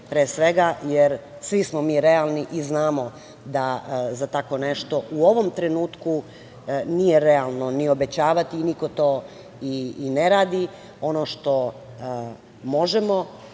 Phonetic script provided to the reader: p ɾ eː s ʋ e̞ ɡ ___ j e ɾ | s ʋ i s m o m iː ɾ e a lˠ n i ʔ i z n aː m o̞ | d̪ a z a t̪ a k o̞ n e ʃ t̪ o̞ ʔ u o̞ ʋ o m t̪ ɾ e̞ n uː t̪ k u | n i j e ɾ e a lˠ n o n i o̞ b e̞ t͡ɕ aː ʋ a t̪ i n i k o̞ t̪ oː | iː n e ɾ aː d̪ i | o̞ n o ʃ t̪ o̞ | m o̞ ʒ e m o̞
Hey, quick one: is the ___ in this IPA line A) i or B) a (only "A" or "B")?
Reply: B